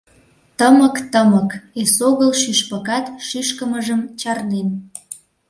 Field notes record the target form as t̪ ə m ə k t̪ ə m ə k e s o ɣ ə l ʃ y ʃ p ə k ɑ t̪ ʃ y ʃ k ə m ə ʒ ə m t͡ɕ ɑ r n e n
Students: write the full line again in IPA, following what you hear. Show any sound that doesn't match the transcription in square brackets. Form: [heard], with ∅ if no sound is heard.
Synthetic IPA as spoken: t̪ ə m ə k t̪ ə m ə k e s o ɣ ə l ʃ y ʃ p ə k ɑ t̪ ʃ y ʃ k ə m ə ʒ ə m t͡ɕ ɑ r n e n